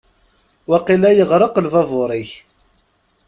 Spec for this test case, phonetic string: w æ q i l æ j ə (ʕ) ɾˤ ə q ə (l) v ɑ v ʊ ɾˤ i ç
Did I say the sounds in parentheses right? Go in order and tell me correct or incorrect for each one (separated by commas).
incorrect, correct